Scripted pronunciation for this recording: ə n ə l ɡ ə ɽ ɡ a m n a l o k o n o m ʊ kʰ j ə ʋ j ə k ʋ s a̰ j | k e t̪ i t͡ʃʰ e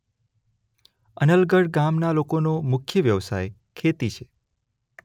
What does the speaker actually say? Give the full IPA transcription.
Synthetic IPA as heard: ə n ə l ɡ ə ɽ ɡ a m n a l o k o n o m ʊ kʰ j ə ʋ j ə ʋ s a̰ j | kʰ e t̪ i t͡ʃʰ e